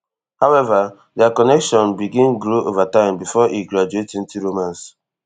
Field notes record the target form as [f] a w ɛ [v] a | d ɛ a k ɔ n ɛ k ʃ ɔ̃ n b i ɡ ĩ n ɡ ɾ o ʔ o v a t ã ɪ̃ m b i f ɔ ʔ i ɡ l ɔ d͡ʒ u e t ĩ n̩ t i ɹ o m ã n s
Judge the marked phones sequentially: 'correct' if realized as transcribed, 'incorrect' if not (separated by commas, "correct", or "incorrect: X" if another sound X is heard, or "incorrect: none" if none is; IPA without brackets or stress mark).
incorrect: h, correct